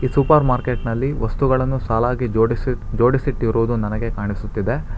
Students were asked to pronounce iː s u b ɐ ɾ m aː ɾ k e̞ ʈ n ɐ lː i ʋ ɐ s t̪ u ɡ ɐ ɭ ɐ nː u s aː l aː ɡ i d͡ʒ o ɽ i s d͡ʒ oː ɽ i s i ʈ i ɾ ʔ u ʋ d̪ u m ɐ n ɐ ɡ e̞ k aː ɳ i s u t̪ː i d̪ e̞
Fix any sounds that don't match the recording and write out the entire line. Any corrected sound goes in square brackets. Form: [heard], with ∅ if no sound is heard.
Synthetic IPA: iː s u [p] ɐ ɾ m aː ɾ k e̞ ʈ n ɐ lː i ʋ ɐ s t̪ u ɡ ɐ ɭ ɐ nː u s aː l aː ɡ i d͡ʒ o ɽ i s d͡ʒ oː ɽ i s i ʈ i ɾ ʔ u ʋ d̪ u [n] ɐ n ɐ ɡ e̞ k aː ɳ i s u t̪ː i d̪ e̞